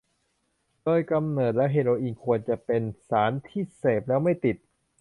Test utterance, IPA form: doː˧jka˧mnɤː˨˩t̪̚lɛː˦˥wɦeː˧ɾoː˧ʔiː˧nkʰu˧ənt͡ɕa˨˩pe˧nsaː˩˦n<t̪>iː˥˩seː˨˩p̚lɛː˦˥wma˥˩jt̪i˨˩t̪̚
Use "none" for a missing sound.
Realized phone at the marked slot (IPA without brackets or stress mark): t̪ʰ